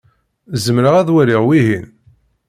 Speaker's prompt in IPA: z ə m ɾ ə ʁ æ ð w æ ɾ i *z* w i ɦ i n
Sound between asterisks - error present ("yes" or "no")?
yes